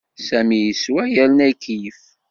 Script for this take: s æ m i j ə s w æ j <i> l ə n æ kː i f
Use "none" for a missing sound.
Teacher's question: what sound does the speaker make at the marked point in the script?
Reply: æ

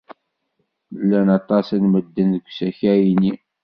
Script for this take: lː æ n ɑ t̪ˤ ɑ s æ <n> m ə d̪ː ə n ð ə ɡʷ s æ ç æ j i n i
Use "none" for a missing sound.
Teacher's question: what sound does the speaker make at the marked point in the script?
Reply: n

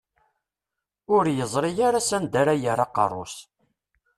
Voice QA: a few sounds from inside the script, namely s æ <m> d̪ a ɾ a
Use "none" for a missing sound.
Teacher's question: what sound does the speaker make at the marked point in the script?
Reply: n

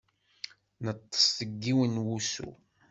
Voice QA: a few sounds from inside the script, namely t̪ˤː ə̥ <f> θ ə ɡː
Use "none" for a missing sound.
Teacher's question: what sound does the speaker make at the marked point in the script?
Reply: s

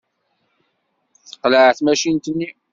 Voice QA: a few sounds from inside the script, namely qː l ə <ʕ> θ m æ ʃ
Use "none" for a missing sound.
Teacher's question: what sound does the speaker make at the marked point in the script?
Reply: ʕ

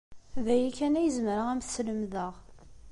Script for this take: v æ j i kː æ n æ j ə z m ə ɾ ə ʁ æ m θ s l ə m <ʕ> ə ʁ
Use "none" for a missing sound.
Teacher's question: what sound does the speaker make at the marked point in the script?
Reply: ð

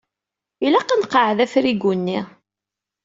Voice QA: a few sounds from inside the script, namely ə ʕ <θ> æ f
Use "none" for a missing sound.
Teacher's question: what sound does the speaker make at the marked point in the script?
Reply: ð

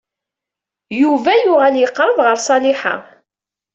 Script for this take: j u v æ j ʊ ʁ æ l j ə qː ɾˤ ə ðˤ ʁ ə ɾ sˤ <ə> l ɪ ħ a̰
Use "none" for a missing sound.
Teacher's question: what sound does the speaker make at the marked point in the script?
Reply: ɑ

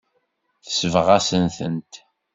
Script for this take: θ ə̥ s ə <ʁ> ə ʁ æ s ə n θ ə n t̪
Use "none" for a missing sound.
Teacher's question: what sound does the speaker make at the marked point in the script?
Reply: v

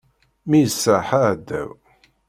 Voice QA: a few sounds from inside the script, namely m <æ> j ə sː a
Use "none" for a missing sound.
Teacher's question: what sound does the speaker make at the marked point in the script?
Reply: i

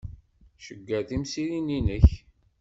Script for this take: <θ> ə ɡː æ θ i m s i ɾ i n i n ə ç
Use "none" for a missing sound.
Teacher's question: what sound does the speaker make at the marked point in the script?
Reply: ʃ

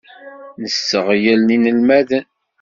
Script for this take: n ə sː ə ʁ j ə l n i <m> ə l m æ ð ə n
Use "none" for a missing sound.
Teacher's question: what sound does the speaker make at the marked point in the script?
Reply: n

